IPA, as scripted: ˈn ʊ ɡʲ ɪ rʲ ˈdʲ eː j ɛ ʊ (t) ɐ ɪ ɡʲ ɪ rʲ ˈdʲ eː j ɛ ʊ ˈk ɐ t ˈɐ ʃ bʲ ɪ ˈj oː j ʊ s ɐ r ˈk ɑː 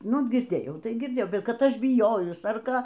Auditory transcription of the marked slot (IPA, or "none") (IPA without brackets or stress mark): t